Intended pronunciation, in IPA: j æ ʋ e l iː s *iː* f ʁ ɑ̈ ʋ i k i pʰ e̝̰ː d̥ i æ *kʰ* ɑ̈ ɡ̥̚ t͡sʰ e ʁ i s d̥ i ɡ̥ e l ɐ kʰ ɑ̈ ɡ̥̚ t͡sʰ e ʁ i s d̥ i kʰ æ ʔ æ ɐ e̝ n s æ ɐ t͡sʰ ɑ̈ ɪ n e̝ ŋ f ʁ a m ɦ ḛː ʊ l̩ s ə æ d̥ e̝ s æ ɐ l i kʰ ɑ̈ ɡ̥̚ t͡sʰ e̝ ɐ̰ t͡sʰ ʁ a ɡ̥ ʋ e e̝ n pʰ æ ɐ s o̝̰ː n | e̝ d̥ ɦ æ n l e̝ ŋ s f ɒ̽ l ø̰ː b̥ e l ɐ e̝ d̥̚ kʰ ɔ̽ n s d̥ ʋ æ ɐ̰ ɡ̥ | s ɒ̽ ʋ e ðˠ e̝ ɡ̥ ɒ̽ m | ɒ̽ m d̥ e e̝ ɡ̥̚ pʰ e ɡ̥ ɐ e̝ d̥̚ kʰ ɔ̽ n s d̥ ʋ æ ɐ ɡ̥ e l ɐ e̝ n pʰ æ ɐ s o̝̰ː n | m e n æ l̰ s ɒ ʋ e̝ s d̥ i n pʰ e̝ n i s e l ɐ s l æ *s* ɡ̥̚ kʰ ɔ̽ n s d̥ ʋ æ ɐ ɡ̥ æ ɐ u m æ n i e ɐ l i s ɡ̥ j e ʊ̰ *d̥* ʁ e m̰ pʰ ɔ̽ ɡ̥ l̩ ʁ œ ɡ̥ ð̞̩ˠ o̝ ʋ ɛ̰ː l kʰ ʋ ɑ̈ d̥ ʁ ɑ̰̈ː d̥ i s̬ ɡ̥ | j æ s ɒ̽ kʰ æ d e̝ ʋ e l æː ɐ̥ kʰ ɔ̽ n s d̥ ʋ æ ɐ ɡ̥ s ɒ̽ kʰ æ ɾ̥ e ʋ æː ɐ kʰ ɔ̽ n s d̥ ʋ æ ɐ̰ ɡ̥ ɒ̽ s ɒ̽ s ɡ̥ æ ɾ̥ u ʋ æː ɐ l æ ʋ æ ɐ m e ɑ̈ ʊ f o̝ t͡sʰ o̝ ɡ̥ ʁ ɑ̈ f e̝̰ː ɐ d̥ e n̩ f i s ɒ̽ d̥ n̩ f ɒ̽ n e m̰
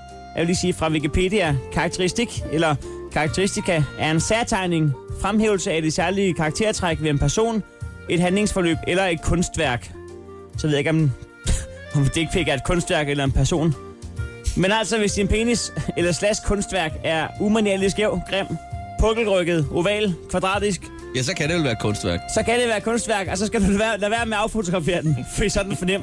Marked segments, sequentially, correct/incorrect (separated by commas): correct, correct, correct, incorrect